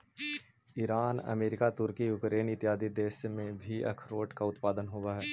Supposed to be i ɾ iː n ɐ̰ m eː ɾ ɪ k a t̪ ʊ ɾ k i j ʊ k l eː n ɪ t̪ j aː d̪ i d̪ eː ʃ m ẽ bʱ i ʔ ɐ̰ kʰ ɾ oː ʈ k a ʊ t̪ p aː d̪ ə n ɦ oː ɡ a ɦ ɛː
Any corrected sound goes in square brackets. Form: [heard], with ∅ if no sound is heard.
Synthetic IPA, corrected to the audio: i ɾ [aː] n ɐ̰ m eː ɾ ɪ k a t̪ ʊ ɾ k i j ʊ k [ɾ] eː n ɪ t̪ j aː d̪ i d̪ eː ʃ m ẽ bʱ i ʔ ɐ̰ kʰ ɾ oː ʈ k a ʊ t̪ p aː d̪ ə n ɦ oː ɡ a ɦ ɛː

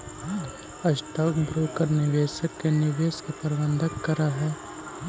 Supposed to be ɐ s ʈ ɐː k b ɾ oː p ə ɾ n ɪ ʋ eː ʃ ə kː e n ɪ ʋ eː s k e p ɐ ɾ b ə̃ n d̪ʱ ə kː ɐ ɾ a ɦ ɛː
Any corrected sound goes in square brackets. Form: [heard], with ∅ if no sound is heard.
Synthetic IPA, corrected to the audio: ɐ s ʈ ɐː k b ɾ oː [k] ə ɾ n ɪ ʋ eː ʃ ə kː e n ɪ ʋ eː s k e p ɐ ɾ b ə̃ n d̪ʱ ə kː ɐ ɾ a ɦ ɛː

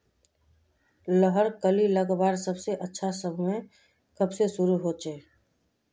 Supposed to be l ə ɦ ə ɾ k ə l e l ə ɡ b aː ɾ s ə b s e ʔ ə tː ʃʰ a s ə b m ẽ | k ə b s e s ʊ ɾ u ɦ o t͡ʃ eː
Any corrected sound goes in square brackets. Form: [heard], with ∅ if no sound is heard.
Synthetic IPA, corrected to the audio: l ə ɦ ə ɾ k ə l [i] l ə ɡ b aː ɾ s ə b s e ʔ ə tː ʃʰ a s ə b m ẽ | k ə b s e s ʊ ɾ u ɦ o t͡ʃ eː

